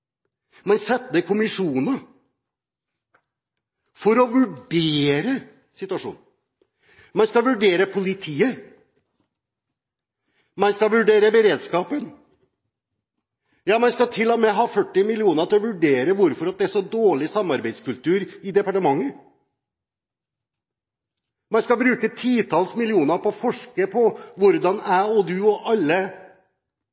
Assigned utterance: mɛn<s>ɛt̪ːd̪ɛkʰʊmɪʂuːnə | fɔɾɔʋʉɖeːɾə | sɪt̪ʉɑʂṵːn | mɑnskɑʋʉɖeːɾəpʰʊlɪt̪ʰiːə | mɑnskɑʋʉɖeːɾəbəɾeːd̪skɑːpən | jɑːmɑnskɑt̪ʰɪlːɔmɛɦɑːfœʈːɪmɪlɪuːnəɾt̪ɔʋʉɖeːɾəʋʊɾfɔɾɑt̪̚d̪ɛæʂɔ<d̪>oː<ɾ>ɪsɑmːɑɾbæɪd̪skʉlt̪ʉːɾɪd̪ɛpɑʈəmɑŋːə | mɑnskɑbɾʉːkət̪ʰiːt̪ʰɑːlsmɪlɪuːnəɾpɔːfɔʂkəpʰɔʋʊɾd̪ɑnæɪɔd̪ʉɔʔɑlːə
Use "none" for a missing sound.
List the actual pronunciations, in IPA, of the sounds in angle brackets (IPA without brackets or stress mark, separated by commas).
s, d̪, ɭ